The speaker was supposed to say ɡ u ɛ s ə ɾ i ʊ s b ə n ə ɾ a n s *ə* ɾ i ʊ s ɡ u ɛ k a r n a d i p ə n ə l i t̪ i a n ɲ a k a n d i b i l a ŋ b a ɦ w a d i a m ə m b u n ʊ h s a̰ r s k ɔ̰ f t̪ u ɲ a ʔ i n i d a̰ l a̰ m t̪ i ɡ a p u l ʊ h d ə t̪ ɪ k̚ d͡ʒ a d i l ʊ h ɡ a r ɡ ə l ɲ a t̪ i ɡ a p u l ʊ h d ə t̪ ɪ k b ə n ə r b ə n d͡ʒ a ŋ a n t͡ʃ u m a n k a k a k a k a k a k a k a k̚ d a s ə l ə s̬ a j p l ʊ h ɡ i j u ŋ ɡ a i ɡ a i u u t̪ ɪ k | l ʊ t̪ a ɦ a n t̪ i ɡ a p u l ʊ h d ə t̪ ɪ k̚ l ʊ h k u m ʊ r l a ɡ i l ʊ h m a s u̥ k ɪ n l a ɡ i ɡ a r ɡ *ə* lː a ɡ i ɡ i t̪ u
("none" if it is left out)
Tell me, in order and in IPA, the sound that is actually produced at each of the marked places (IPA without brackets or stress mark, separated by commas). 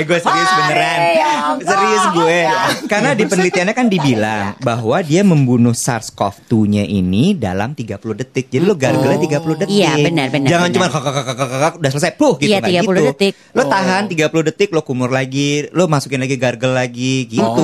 ə, ə